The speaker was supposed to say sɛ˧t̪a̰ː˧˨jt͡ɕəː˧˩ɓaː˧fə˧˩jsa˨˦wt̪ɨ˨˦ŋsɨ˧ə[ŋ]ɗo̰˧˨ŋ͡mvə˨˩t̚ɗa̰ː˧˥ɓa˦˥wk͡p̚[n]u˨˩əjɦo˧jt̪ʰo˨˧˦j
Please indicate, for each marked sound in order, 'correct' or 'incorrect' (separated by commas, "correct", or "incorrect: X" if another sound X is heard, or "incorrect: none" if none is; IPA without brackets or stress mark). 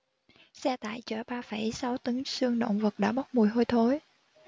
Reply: correct, incorrect: m